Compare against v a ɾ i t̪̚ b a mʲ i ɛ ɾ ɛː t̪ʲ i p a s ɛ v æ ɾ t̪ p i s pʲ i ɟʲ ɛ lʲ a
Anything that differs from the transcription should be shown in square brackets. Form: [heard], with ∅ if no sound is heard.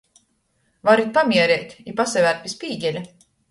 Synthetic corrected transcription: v a ɾ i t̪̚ [p] a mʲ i ɛ ɾ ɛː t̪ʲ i p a s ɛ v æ ɾ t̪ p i s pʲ [iː] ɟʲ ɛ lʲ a